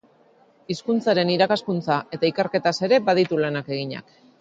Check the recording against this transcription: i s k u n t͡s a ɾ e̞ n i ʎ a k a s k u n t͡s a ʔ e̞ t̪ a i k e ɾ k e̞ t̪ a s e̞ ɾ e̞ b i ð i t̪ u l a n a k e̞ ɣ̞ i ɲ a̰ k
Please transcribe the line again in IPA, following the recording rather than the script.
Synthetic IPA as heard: i s k u n t͡s a ɾ e̞ n i ɾ a k a s k u n t͡s a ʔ e̞ t̪ a i k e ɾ k e̞ t̪ a s e̞ ɾ e̞ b a ð i t̪ u l a n a k e̞ ɣ̞ i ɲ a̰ k